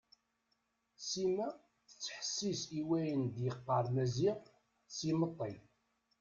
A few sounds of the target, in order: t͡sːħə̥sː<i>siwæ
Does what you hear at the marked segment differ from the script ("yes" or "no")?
no